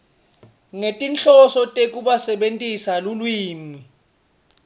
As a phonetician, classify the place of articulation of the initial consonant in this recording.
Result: velar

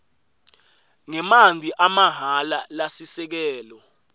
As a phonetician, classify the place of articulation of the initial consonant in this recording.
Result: velar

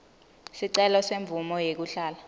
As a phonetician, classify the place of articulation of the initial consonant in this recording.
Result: alveolar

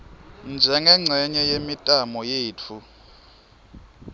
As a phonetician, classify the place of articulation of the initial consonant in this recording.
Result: alveolar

